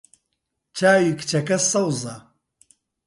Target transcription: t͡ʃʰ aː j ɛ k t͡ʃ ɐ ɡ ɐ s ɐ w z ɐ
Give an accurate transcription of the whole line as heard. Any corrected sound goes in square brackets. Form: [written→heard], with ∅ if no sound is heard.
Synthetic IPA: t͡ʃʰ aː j [ɛ→i] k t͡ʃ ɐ [ɡ→k] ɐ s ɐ w z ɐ